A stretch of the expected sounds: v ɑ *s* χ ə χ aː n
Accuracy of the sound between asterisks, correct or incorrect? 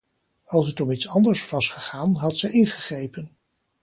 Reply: correct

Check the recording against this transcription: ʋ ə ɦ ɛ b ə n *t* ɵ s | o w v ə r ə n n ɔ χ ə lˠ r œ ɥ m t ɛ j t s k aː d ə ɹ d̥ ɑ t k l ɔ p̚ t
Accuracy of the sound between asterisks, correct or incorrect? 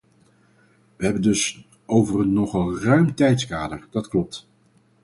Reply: incorrect: d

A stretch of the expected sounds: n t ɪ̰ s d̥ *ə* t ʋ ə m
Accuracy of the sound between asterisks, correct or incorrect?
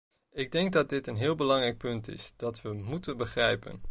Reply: incorrect: ɑ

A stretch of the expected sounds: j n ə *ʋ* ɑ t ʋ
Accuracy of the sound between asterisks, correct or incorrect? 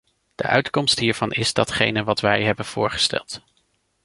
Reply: correct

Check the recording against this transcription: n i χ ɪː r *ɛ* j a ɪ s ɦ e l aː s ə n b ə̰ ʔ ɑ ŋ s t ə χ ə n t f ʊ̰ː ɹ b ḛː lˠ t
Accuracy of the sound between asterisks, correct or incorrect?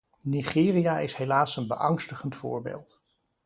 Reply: incorrect: i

